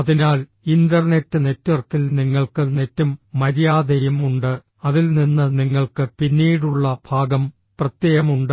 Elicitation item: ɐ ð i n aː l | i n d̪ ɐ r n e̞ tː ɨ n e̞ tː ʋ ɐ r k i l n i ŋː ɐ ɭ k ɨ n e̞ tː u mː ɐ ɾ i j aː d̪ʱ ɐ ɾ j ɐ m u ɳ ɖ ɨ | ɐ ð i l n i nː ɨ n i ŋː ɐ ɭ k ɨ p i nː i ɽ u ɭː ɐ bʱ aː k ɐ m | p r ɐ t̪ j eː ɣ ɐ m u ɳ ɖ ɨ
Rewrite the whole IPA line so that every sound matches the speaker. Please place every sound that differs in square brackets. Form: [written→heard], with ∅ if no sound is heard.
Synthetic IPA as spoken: ɐ ð i n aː l | i n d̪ ɐ r n e̞ tː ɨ n e̞ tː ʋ ɐ r k i l n i ŋː ɐ ɭ k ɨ n e̞ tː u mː ɐ ɾ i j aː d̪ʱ ɐ ɾ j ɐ m u ɳ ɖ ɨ | ɐ ð i l n i nː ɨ n i ŋː ɐ ɭ k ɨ p i nː [i→iː] ɽ u ɭː ɐ bʱ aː [k→ɡ] ɐ m | p r ɐ t̪ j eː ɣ ɐ m u ɳ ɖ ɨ